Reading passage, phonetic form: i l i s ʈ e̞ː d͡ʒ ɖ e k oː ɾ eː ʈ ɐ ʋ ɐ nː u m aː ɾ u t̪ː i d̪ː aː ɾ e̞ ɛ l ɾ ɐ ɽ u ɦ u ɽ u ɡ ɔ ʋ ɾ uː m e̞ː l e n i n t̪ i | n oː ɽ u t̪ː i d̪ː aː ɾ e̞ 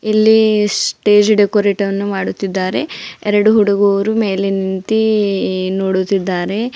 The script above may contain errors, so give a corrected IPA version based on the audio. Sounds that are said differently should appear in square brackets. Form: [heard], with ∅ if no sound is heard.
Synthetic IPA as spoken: i [lː] i s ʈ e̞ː d͡ʒ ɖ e k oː ɾ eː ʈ ɐ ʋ ɐ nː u m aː [ɽ] u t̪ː i d̪ː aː ɾ e̞ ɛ [∅] ɾ ɐ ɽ u ɦ u ɽ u ɡ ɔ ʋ ɾ [u] m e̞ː l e n i n t̪ i | n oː ɽ u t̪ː i d̪ː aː ɾ e̞

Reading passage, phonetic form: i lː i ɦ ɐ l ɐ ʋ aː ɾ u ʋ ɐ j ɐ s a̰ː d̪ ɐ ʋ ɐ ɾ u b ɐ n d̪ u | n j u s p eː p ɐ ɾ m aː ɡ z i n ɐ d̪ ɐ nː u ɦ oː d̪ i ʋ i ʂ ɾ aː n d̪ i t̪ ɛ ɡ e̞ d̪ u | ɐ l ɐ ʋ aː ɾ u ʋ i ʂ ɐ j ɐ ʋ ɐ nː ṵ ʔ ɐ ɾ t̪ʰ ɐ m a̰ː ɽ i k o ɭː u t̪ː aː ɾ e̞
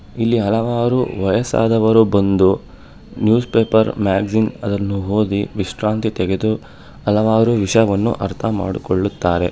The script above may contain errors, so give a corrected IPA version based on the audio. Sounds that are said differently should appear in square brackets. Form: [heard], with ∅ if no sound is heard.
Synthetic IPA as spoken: i lː i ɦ ɐ l ɐ ʋ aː ɾ u ʋ ɐ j ɐ s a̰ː d̪ ɐ ʋ ɐ ɾ u b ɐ n d̪ u | n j [uː] s p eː p ɐ ɾ m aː ɡ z i n ɐ d̪ ɐ nː u ɦ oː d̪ i ʋ i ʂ ɾ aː n [t̪] i t̪ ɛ ɡ e̞ d̪ u | ɐ l ɐ ʋ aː ɾ u ʋ i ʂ ɐ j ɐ ʋ ɐ nː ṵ ʔ ɐ ɾ t̪ʰ ɐ m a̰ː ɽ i k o ɭː u t̪ː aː ɾ e̞

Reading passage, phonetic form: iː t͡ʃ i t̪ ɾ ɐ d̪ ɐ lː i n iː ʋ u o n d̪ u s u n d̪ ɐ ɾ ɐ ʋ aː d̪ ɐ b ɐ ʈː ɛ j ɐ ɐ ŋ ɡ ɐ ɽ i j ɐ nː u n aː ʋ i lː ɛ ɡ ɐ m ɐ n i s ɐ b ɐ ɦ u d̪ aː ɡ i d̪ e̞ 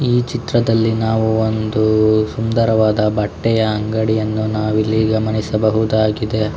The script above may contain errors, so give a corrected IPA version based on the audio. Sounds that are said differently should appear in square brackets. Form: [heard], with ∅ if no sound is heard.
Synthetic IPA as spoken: iː t͡ʃ i t̪ ɾ ɐ d̪ ɐ lː i n [aː] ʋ u o n d̪ u s u n d̪ ɐ ɾ ɐ ʋ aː d̪ ɐ b ɐ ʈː ɛ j ɐ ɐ ŋ ɡ ɐ ɽ i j ɐ nː u n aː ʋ i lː [i] ɡ ɐ m ɐ n i s ɐ b ɐ ɦ u d̪ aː ɡ i d̪ e̞

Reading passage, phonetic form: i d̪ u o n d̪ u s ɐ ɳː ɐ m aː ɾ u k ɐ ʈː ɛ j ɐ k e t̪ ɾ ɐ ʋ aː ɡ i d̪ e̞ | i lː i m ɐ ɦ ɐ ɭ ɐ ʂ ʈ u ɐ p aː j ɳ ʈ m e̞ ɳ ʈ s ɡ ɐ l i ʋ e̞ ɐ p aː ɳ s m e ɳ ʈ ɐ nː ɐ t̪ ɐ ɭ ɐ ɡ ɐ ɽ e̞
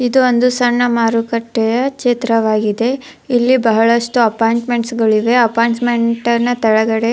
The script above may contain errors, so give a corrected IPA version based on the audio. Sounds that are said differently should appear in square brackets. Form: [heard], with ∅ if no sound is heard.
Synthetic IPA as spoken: i d̪ u o n d̪ u s ɐ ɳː ɐ m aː ɾ u k ɐ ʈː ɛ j ɐ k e t̪ ɾ ɐ ʋ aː ɡ i d̪ e̞ | i lː i [b] ɐ ɦ ɐ ɭ ɐ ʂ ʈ u ɐ p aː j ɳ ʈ m e̞ ɳ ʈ s ɡ ɐ [ɭ] i ʋ e̞ ɐ p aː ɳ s m e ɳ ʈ ɐ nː ɐ t̪ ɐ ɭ ɐ ɡ ɐ ɽ e̞

